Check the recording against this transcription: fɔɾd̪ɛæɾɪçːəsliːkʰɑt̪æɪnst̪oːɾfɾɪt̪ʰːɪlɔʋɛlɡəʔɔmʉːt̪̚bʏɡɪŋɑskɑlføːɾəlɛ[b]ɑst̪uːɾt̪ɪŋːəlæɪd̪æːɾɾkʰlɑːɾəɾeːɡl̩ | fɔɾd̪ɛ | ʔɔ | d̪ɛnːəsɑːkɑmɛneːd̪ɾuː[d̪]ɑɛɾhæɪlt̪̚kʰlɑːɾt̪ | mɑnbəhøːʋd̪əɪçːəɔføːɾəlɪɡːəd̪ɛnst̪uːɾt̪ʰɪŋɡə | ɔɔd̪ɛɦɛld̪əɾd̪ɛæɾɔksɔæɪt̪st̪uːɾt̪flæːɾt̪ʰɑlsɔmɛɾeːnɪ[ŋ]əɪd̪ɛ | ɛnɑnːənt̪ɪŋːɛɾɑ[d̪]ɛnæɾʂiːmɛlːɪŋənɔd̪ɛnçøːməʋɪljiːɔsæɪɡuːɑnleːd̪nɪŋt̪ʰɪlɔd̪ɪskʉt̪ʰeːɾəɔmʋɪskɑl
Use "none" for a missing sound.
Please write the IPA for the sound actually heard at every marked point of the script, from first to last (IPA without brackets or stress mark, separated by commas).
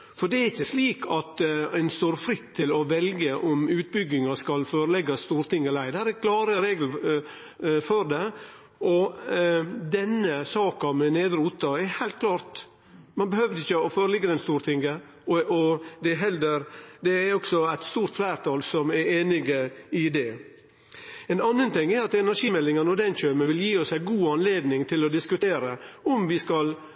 ɡ, t̪, ɡ, t̪